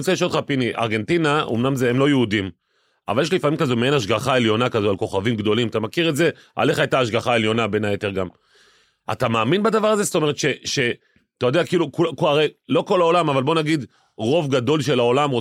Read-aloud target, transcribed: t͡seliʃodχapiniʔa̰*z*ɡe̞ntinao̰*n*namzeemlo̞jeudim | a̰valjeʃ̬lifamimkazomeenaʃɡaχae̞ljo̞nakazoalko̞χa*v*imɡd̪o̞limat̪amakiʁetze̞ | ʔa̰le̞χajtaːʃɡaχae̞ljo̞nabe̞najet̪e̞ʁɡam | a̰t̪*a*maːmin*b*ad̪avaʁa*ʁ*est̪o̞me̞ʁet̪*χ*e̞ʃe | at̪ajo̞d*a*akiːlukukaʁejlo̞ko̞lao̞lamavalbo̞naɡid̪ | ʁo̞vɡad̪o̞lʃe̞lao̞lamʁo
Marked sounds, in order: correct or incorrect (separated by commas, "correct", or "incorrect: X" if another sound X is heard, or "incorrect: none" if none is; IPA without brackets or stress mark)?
incorrect: ʁ, incorrect: m, correct, correct, correct, incorrect: z, incorrect: ʃ, incorrect: e